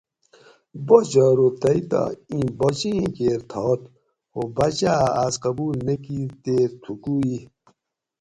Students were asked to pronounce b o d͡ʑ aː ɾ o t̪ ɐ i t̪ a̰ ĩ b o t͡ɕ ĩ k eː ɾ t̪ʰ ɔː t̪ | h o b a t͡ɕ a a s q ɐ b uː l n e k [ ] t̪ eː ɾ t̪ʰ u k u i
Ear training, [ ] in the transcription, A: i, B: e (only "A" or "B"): A